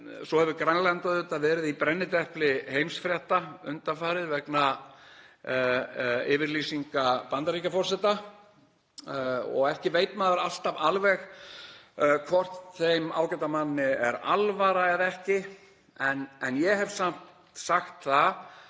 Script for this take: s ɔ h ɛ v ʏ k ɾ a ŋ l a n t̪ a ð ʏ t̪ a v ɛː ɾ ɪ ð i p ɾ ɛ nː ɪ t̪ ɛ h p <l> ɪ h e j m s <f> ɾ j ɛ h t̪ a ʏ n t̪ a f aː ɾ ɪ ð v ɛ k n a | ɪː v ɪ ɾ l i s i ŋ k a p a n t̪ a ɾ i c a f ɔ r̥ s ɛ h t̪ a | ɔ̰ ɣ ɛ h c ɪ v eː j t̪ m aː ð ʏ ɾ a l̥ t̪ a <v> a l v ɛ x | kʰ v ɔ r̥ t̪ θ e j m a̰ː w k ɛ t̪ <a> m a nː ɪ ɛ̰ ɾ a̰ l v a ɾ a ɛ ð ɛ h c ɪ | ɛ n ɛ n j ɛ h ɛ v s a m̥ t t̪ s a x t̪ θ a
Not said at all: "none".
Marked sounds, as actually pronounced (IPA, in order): l, f, v, a

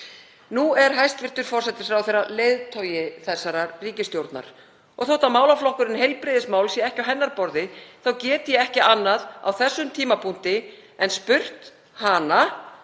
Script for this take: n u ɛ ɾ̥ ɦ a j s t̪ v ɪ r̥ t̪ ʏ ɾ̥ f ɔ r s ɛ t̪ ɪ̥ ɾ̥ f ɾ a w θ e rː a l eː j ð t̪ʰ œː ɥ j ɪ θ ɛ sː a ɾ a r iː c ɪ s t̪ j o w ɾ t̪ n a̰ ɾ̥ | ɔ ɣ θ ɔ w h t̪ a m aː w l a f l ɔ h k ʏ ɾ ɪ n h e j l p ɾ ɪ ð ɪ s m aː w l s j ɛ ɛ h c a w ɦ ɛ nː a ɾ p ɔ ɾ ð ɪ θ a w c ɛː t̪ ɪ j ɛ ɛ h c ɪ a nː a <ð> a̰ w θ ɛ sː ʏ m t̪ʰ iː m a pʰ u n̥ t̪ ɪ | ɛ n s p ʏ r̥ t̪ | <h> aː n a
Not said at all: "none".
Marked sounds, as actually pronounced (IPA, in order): ð, h

